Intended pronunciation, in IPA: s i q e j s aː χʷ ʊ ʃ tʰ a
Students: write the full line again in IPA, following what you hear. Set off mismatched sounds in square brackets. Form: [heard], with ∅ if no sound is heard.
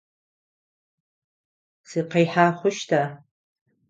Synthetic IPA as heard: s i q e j [ħ] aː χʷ ʊ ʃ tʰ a